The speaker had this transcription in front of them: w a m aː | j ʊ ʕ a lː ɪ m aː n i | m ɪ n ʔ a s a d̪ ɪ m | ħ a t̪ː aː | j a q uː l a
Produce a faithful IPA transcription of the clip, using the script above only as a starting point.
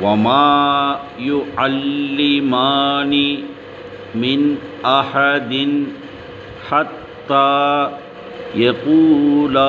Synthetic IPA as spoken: w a m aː | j ʊ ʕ a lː ɪ m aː n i | m ɪ n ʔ a ħ a d̪ ɪ n | ħ a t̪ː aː | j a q uː l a